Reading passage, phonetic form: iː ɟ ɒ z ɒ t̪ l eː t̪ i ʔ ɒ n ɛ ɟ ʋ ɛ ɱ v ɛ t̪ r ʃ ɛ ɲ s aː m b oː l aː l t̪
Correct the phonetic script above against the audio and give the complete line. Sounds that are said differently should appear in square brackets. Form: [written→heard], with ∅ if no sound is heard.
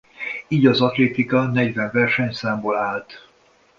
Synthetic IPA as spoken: iː ɟ ɒ z ɒ t̪ l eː t̪ i [ʔ→k] ɒ n ɛ ɟ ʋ ɛ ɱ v ɛ [t̪→∅] r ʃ ɛ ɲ s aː m b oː l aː l t̪